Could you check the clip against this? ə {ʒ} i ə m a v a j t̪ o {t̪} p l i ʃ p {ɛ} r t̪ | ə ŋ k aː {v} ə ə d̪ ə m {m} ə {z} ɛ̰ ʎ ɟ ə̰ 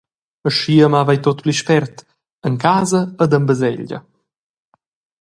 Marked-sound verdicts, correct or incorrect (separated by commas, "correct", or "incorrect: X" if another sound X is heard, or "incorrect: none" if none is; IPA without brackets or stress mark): incorrect: ʃ, correct, correct, incorrect: z, incorrect: b, correct